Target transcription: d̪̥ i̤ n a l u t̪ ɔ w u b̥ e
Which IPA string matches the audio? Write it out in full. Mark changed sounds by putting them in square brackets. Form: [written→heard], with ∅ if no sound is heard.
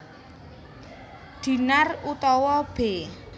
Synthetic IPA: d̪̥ i̤ n a [l→r] u t̪ ɔ w [u→ɔ] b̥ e